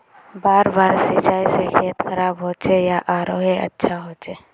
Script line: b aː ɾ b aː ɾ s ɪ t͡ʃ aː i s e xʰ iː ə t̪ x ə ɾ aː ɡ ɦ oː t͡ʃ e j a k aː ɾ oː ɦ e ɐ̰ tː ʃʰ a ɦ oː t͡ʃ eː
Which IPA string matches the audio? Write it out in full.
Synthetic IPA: b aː ɾ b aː ɾ s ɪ t͡ʃ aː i s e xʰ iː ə t̪ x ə ɾ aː b ɦ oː t͡ʃ e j a ʔ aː ɾ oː ɦ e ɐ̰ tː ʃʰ a ɦ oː t͡ʃ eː